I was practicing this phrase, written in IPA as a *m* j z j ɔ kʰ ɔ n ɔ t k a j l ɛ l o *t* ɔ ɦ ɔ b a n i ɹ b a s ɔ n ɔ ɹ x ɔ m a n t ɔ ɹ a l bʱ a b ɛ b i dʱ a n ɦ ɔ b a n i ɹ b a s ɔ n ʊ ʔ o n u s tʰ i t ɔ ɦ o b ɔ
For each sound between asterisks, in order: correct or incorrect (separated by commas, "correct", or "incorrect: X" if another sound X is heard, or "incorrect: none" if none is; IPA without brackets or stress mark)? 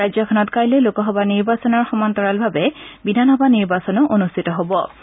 incorrect: none, incorrect: k